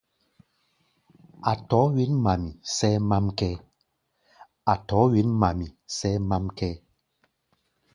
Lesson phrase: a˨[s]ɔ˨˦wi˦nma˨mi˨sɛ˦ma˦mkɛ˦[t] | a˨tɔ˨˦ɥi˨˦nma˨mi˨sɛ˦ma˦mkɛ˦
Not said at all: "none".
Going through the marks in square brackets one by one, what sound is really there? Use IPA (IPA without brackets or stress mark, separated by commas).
t, none